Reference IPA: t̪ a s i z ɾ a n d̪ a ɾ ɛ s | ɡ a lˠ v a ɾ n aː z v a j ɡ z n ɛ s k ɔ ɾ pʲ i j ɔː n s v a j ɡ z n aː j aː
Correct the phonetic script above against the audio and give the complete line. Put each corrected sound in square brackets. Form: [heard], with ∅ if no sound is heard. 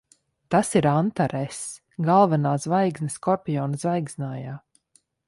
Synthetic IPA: t̪ a s i [∅] ɾ a n [t̪] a ɾ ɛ s | ɡ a lˠ v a [∅] n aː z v a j ɡ z n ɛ s k ɔ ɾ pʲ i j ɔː n [z] v a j ɡ z n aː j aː